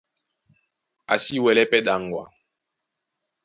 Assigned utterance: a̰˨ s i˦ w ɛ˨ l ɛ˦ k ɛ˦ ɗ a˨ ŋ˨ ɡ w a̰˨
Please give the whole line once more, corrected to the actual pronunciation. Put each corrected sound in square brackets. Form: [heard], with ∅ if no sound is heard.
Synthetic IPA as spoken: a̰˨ s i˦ w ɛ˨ l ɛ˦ [p] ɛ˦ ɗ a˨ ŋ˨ ɡ w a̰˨